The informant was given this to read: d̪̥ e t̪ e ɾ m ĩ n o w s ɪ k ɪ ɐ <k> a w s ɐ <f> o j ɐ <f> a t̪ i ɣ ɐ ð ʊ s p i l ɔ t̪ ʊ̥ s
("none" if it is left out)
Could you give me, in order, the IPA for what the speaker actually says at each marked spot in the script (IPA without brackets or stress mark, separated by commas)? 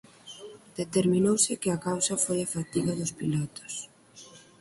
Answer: k, f, f